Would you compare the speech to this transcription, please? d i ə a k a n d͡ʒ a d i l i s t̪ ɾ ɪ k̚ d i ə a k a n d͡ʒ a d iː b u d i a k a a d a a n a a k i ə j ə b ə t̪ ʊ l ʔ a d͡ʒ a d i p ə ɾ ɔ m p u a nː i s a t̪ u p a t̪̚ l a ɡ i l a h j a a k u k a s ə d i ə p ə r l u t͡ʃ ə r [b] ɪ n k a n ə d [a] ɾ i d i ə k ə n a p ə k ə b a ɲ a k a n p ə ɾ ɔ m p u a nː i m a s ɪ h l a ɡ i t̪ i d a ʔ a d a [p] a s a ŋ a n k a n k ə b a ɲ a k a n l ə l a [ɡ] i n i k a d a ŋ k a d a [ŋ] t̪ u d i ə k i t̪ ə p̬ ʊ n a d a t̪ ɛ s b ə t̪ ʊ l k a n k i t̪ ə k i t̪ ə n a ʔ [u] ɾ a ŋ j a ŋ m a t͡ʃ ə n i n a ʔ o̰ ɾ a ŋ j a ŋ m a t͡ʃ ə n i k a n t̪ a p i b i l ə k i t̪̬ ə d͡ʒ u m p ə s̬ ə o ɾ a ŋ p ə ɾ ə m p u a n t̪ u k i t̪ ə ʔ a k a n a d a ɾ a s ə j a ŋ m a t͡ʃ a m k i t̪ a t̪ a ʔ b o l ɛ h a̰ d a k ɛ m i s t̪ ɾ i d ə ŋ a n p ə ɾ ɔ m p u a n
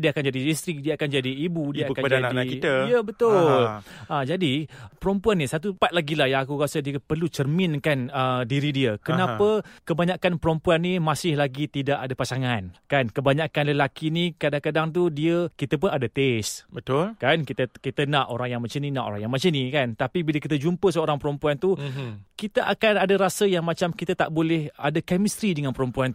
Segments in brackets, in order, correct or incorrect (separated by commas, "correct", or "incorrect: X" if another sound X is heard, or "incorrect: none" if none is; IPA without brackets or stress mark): incorrect: m, incorrect: i, correct, incorrect: k, correct, incorrect: o